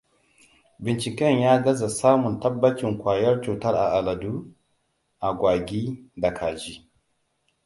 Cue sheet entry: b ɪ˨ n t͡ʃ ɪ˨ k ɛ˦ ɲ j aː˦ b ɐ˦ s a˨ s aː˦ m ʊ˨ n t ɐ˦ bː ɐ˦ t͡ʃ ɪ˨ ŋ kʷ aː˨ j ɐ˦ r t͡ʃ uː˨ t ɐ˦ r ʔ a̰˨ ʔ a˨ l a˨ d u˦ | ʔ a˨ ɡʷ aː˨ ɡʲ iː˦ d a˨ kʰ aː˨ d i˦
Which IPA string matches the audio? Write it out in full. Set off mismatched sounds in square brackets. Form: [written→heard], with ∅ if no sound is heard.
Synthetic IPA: b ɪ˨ n t͡ʃ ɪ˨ k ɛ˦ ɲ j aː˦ [b→ɡ] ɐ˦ [s→z] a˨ s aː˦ m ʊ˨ n t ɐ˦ bː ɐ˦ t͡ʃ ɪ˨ ŋ kʷ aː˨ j ɐ˦ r t͡ʃ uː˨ t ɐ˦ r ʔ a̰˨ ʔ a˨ l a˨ d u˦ | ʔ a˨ ɡʷ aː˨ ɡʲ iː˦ d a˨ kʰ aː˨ [d→d͡ʒ] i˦